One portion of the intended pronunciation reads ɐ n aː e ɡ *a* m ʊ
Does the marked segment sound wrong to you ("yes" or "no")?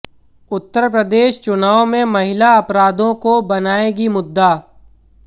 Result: yes